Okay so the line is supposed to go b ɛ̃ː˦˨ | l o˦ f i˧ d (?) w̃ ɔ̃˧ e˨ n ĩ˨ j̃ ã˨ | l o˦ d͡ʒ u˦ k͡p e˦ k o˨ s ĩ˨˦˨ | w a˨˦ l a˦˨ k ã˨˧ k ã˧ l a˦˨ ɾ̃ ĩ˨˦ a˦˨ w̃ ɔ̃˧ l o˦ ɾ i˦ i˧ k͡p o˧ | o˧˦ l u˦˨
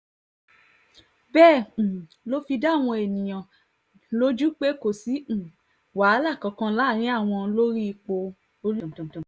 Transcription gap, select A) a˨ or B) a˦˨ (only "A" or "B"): B